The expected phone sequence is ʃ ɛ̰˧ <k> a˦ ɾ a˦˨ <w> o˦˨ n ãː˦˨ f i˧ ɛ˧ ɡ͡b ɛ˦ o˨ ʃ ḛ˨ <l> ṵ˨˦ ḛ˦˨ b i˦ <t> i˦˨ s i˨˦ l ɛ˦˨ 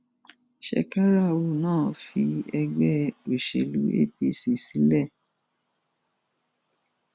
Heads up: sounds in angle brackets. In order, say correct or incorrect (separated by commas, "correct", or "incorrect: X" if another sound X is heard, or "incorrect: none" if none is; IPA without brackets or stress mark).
correct, correct, correct, incorrect: s